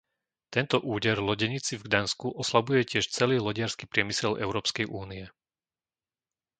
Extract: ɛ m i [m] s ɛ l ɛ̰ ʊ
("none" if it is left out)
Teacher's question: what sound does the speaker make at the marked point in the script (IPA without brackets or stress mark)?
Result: none